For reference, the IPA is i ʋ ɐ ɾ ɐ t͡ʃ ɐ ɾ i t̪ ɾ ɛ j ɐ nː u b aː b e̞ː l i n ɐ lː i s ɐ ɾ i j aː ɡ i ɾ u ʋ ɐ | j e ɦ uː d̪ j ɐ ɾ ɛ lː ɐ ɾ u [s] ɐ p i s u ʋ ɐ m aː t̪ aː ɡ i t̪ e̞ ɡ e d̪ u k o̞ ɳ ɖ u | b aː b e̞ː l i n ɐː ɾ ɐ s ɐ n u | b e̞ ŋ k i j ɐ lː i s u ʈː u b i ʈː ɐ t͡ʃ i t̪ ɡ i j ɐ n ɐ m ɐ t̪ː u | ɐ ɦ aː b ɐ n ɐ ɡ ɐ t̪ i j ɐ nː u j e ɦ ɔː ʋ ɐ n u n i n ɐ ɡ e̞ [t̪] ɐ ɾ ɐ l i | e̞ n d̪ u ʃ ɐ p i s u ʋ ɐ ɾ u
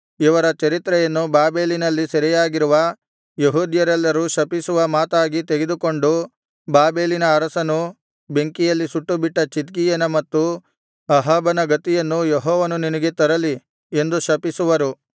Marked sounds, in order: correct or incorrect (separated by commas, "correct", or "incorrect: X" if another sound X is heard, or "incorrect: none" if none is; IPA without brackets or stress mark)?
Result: incorrect: ʃ, correct